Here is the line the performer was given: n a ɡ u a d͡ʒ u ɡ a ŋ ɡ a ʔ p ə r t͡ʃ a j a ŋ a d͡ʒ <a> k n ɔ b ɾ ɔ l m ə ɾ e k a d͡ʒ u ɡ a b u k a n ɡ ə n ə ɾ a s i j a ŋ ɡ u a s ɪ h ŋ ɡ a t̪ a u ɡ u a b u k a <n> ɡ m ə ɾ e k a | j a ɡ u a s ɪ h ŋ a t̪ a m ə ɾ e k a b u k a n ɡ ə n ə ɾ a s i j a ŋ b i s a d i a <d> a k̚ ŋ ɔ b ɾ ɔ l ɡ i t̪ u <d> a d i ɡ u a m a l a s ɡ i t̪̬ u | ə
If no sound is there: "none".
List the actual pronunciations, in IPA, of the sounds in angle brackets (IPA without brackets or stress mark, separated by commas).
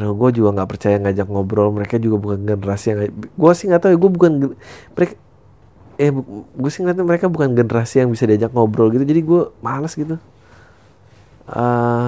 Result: a, n, d͡ʒ, d͡ʒ